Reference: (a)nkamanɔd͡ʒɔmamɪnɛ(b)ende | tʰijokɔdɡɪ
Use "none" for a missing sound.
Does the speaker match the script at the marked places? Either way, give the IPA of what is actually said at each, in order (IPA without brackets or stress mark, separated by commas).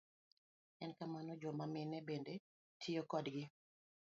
ɛ, b